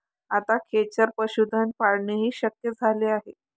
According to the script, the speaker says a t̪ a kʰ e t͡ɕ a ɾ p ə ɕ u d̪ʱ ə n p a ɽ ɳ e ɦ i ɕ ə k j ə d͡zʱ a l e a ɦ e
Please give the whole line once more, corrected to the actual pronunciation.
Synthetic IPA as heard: a t̪ a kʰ e t͡ɕ ə ɾ p ə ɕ u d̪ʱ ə n p a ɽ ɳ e ɦ iː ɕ ə k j ə d͡zʱ a l e a ɦ e